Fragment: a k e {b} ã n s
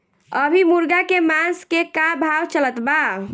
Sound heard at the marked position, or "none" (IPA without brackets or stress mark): m